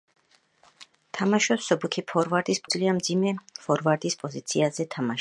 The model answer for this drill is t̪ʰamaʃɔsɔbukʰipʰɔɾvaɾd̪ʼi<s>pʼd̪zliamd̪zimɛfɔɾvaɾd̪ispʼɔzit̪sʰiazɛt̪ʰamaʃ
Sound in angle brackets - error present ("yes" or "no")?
no